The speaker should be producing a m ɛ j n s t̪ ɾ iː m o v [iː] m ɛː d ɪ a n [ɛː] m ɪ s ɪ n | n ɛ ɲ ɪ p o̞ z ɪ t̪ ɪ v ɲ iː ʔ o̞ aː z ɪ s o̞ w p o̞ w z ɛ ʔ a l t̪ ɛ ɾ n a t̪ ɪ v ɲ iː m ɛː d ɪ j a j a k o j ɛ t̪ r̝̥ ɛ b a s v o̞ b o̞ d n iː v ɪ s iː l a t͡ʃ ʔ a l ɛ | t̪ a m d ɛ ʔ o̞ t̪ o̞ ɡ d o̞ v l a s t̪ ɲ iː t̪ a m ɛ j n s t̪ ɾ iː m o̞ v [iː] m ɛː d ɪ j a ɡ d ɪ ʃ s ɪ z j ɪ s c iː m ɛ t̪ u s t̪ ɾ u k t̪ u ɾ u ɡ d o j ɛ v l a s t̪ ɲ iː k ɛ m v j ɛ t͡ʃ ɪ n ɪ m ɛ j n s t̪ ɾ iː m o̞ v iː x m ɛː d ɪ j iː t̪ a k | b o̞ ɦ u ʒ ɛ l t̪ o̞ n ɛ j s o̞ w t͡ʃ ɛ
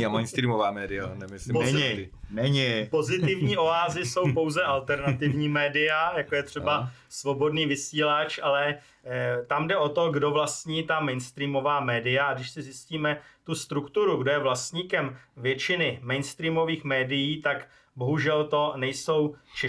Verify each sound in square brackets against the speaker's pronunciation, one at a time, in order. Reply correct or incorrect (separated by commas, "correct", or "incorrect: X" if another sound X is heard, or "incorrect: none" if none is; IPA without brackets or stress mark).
incorrect: aː, incorrect: ɛ, incorrect: aː